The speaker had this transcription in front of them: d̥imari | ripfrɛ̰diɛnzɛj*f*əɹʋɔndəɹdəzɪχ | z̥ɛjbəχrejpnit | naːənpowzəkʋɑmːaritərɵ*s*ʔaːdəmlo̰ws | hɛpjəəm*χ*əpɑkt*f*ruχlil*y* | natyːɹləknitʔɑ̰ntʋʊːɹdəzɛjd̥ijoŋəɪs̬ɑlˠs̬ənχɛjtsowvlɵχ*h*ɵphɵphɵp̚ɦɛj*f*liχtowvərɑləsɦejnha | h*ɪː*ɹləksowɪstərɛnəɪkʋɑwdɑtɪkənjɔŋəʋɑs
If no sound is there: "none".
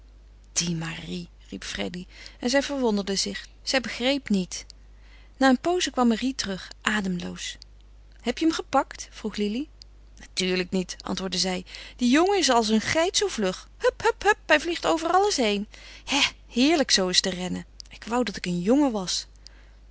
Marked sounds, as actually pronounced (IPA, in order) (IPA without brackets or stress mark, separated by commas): v, χ, χ, f, i, h, v, ɪː